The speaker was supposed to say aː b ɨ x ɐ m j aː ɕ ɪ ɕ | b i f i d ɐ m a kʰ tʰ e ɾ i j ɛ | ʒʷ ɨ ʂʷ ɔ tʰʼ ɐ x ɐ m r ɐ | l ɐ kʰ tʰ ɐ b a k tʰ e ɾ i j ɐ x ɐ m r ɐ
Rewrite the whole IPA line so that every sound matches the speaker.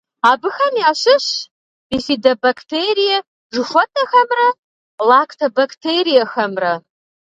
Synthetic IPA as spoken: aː b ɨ x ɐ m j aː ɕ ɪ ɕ | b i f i d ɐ b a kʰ tʰ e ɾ i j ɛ | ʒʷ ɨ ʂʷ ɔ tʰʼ ɐ x ɐ m r ɐ | l a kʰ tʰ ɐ b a k tʰ e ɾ i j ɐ x ɐ m r ɐ